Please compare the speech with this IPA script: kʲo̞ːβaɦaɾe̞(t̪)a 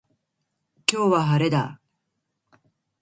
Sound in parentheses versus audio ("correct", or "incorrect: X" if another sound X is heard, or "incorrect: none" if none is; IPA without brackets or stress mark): incorrect: d̪